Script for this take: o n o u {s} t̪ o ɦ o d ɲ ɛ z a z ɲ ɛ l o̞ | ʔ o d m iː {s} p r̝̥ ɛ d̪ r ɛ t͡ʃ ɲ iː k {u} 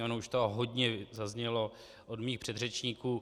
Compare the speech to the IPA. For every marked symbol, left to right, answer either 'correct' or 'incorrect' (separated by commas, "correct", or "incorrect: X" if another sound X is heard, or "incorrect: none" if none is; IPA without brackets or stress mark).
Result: incorrect: ʃ, incorrect: x, incorrect: uː